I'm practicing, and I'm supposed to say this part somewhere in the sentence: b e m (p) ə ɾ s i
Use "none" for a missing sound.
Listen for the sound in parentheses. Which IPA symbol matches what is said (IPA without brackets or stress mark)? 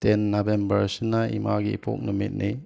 b